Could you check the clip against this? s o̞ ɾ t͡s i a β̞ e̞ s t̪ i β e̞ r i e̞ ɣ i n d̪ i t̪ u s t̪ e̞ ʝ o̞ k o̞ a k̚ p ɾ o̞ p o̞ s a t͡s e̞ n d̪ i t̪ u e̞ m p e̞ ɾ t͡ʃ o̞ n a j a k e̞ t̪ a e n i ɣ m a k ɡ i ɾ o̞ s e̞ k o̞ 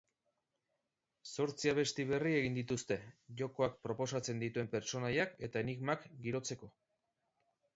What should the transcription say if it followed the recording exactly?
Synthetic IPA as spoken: s o̞ ɾ t͡s i a β̞ e̞ s t̪ i β e̞ r i e̞ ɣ i n d̪ i t̪ u s t̪ e̞ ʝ o̞ k o̞ a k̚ p ɾ o̞ p o̞ s a t͡s e̞ n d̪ i t̪ u e̞ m p e̞ ɾ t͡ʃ o̞ n a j a k e̞ t̪ a e n i ɣ m a k ɡ i ɾ o̞ t͡s e̞ k o̞

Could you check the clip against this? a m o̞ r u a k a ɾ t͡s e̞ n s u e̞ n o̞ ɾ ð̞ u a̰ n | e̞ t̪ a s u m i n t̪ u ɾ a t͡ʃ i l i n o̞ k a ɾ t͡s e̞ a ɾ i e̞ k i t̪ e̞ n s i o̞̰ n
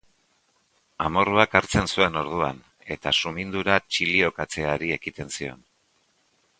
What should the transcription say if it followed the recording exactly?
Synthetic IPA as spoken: a m o̞ r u a k a ɾ t͡s e̞ n s u e̞ n o̞ ɾ ð̞ u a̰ n | e̞ t̪ a s u m i n d̪ u ɾ a t͡ʃ i l i o̞ k a t͡s e̞ a ɾ i e̞ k i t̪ e̞ n s i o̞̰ n

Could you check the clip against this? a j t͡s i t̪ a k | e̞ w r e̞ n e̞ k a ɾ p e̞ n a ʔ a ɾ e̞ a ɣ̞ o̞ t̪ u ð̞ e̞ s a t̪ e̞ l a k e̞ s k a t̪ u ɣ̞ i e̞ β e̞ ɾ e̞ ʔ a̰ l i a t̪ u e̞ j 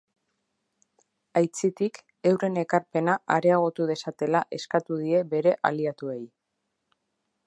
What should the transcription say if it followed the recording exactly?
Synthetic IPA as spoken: a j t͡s i t̪ i k | e̞ w r e̞ n e̞ k a ɾ p e̞ n a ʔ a ɾ e̞ a ɣ̞ o̞ t̪ u ð̞ e̞ s a t̪ e̞ l a ʔ e̞ s k a t̪ u ð̞ i e̞ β e̞ ɾ e̞ ʔ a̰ l i a t̪ u e̞ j

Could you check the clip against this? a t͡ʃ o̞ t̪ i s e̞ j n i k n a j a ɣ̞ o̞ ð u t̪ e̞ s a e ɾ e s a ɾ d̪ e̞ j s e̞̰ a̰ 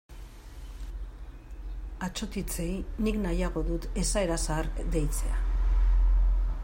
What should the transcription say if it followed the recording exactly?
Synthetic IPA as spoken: a t͡ʃ o̞ t̪ i t͡s e̞ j n i k n a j a ɣ̞ o̞ ð u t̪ e̞ s a e ɾ a s a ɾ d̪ e̞ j t͡s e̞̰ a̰

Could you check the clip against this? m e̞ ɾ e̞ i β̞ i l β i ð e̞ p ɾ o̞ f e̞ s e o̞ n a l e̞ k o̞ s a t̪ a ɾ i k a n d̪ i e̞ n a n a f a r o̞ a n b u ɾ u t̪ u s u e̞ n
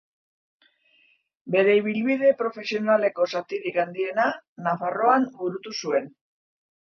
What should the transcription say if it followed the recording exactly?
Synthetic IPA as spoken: b e̞ ɾ e̞ i β̞ i l β i ð e̞ p ɾ o̞ f e̞ s i o̞ n a l e̞ k o̞ s a t̪ i ɾ i k a n d̪ i e̞ n a n a f a r o̞ a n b u ɾ u t̪ u s u e̞ n

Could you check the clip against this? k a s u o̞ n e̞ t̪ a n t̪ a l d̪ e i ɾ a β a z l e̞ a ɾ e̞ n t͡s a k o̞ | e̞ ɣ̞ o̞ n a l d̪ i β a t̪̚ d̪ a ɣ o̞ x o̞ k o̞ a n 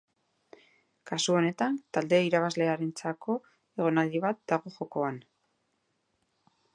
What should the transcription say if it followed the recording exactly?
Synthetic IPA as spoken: k a s u o̞ n e̞ t̪ a n t̪ a l d̪ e i ɾ a β a z l e̞ a ɾ e̞ n t͡s a k o̞ | e̞ ɣ̞ o̞ n a l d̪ i β a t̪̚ d̪ a ɣ o̞ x o̞ k o̞ a n

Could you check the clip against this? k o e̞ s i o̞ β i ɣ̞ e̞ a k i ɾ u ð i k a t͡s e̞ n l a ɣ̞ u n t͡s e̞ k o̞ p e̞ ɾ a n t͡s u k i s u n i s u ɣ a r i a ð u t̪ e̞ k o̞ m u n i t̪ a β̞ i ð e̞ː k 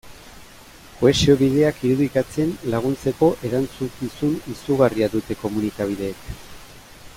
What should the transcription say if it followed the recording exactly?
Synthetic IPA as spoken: k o e̞ s i o̞ β i ð̞ e̞ a k i ɾ u ð i k a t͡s e̞ n l a ɣ̞ u n t͡s e̞ k o̞ ʔ e̞ ɾ a n t͡s u k i s u n i s u ɣ a r i a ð u t̪ e̞ k o̞ m u n i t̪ a β̞ i ð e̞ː k

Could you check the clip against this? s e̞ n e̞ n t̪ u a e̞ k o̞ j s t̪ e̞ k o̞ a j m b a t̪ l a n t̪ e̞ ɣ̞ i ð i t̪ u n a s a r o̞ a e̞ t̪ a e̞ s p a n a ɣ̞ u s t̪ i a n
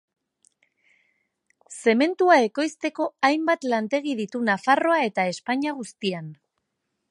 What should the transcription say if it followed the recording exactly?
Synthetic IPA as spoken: s e̞ m e̞ n t̪ u a e̞ k o̞ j s t̪ e̞ k o̞ a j m b a t̪ l a n t̪ e̞ ɣ̞ i ð i t̪ u n a f a r o̞ a e̞ t̪ a e̞ s p a ɲ a ɣ̞ u s t̪ i a n

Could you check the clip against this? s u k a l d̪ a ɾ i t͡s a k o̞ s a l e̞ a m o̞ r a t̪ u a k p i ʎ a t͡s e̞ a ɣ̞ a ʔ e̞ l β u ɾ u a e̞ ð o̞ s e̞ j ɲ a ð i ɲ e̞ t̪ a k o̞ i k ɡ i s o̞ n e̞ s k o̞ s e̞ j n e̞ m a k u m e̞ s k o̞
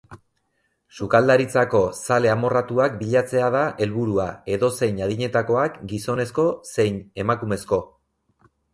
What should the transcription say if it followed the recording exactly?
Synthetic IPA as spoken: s u k a l d̪ a ɾ i t͡s a k o̞ s a l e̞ a m o̞ r a t̪ u a k b i ʎ a t͡s e̞ a ð̞ a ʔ e̞ l β u ɾ u a e̞ ð o̞ s e̞ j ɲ a ð i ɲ e̞ t̪ a k o̞ a k ɡ i s o̞ n e̞ s k o̞ s e̞ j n e̞ m a k u m e̞ s k o̞

